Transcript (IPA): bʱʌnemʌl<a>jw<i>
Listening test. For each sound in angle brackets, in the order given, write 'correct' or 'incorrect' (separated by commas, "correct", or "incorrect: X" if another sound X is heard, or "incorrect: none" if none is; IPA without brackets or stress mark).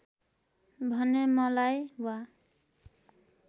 correct, incorrect: a